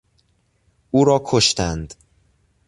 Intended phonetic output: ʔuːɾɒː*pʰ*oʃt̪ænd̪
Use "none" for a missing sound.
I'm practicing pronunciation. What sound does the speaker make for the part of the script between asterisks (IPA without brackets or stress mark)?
kʰ